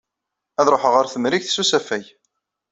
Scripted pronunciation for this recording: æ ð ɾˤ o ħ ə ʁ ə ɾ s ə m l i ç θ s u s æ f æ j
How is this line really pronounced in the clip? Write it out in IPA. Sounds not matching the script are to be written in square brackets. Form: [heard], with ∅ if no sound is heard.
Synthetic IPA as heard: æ ð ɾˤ o ħ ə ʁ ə ɾ [θ] ə m [ɾ] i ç θ s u s æ f æ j